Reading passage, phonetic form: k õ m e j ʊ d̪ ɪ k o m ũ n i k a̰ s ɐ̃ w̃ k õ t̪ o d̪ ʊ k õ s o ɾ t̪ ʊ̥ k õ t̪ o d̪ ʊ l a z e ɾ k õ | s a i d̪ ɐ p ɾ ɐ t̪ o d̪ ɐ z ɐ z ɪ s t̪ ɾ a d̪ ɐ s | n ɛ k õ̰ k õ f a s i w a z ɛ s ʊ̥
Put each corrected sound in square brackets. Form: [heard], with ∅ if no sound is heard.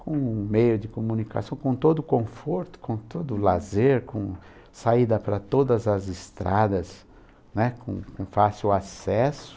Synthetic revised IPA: k õ m e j ʊ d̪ ɪ k o m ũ n i k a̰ s ɐ̃ w̃ k õ t̪ o d̪ ʊ k õ [f] o ɾ t̪ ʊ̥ k õ t̪ o d̪ ʊ l a z e ɾ k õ | s a i d̪ ɐ p ɾ ɐ t̪ o d̪ ɐ z ɐ z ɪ s t̪ ɾ a d̪ ɐ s | n ɛ k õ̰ k õ f a s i w a [s] ɛ s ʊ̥